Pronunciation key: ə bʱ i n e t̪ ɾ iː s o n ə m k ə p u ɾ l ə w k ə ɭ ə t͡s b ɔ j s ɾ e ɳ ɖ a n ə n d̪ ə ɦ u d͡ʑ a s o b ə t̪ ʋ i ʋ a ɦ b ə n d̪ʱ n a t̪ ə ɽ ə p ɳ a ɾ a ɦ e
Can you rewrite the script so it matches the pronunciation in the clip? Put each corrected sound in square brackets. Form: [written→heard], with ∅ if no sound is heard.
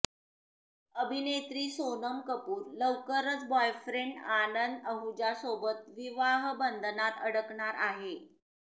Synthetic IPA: ə bʱ i n e t̪ ɾ iː s o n ə m k ə p [u→uː] ɾ l ə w k ə [ɭ→ɾ] ə t͡s b ɔ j [s→f] ɾ e ɳ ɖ a n ə n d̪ ə ɦ u d͡ʑ a s o b ə t̪ ʋ i ʋ a ɦ b ə n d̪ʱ n a t̪ ə ɽ ə [p→k] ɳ a ɾ a ɦ e